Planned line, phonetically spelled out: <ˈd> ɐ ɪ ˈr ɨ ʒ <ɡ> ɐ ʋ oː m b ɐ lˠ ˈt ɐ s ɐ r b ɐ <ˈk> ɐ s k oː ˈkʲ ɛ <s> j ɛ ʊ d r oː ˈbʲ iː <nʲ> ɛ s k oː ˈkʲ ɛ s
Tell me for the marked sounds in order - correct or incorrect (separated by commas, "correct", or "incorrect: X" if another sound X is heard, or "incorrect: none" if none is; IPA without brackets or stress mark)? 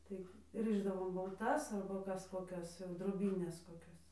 incorrect: t, incorrect: d, correct, correct, correct